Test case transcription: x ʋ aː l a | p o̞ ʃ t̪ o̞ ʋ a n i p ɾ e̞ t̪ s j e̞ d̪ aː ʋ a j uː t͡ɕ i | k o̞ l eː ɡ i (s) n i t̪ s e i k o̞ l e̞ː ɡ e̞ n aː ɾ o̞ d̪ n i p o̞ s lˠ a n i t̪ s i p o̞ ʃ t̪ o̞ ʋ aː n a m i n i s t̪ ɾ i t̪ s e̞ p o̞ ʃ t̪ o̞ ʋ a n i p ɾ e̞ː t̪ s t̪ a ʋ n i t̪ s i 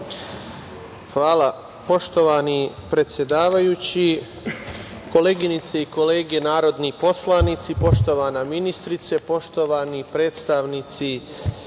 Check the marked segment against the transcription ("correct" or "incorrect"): incorrect